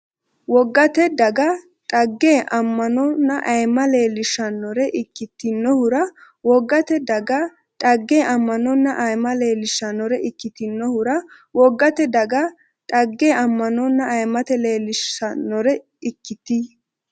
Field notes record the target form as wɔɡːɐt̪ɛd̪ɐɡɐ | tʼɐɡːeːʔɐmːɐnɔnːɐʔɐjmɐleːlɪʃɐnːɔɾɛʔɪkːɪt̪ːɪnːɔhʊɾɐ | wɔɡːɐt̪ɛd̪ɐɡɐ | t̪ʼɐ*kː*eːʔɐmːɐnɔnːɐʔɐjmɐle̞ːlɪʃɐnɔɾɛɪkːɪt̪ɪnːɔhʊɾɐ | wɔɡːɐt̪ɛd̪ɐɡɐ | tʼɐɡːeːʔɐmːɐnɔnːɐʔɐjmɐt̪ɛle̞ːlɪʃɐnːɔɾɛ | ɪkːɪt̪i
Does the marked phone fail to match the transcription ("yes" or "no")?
yes